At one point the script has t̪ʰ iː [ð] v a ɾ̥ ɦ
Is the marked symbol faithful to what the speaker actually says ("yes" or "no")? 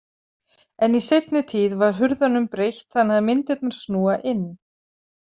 yes